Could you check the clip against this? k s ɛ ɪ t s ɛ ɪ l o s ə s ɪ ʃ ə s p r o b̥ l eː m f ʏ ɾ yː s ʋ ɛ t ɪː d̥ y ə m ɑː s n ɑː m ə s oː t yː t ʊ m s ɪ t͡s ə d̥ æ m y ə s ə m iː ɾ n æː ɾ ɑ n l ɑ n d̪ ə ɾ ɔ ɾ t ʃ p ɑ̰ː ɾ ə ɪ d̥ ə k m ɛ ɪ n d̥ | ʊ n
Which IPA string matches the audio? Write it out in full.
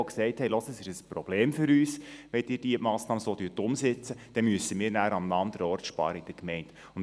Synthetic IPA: k s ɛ ɪ t h ɛ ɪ l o s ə s ɪ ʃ ə s p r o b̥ l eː m f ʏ ɾ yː s ʋ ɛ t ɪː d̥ i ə m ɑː s n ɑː m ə s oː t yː t ʊ m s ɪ t͡s ə d̥ ɛ m y ə s ə m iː ɾ n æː ɾ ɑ m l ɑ n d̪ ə ɾ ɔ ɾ t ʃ p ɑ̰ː ɾ ə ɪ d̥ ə k m ɛ ɪ n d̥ | ʊ n